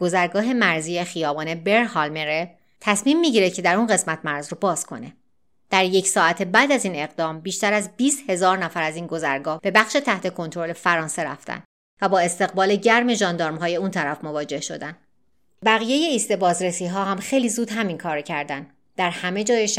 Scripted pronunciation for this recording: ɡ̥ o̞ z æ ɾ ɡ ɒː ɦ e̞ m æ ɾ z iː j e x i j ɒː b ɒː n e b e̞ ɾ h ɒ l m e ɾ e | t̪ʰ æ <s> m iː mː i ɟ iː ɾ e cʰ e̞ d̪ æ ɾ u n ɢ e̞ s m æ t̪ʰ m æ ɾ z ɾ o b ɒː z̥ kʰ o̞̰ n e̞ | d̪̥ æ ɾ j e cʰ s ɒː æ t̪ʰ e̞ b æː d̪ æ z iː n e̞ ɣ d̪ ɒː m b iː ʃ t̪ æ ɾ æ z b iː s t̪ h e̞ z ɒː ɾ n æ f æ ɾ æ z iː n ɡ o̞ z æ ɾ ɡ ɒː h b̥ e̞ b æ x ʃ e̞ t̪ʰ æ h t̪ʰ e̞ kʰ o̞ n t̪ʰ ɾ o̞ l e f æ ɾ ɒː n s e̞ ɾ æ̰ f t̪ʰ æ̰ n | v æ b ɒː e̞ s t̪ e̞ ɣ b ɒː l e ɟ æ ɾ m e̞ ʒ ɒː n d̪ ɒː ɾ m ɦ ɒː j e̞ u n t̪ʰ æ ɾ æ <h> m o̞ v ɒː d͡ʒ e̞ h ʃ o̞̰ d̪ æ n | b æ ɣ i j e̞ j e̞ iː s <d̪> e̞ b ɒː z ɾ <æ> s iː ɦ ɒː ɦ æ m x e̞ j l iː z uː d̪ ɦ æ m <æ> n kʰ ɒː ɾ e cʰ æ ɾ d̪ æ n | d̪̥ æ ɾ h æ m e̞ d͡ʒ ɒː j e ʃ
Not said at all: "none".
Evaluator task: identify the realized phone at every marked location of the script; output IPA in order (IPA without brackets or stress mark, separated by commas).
s, f, t̪, e, i